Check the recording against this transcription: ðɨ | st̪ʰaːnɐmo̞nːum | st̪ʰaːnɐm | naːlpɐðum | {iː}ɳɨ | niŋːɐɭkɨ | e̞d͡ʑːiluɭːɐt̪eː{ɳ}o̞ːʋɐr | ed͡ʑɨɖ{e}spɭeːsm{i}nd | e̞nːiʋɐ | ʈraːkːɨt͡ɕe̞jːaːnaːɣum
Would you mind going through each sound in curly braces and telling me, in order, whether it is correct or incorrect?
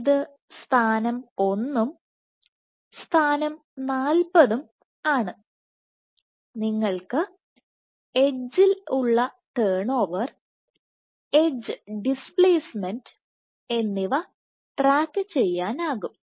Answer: incorrect, correct, incorrect, incorrect

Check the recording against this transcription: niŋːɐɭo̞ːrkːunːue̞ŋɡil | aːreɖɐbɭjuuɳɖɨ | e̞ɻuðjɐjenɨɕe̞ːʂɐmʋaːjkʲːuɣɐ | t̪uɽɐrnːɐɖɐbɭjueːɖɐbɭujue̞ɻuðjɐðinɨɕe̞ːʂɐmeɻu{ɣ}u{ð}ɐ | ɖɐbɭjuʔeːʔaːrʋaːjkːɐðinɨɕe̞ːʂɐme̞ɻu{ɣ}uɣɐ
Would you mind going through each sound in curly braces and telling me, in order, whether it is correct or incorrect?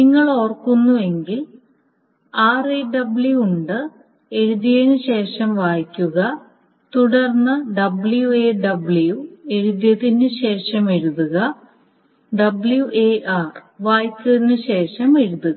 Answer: incorrect, incorrect, incorrect

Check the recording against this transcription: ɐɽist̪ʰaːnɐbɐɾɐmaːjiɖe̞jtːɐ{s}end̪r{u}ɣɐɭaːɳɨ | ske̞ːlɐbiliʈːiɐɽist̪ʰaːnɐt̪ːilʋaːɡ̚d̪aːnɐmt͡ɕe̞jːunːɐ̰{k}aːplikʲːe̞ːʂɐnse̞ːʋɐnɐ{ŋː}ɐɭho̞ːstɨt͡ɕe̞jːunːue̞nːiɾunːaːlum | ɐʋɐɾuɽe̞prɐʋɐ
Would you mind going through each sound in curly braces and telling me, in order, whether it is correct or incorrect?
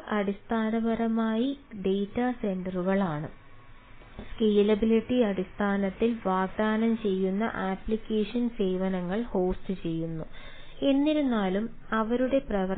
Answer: correct, correct, incorrect, correct

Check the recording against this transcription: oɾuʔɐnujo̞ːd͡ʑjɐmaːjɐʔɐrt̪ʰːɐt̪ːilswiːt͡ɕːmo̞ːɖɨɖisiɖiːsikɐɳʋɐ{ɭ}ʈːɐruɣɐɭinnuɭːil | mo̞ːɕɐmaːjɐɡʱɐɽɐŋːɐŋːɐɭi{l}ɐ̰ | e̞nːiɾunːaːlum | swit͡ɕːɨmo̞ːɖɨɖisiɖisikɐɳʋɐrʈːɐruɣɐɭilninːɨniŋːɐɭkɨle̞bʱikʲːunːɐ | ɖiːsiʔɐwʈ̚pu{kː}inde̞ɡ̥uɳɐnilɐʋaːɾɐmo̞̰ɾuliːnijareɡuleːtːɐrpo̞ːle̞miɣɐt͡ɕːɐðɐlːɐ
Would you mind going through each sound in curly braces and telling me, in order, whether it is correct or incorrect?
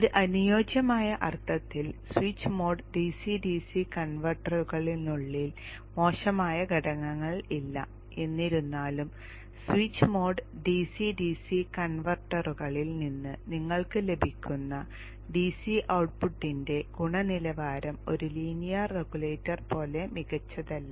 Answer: incorrect, incorrect, incorrect

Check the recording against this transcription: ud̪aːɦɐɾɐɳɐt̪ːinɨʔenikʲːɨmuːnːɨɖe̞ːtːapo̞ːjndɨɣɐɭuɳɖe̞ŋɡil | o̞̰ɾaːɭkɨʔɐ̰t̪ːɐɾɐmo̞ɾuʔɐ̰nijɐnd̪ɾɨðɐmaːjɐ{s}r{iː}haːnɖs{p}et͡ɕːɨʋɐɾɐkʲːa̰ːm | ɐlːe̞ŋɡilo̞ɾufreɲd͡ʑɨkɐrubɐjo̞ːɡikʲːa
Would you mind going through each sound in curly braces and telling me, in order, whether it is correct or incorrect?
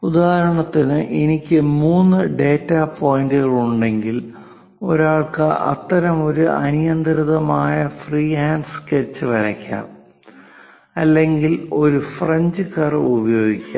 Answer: incorrect, correct, incorrect

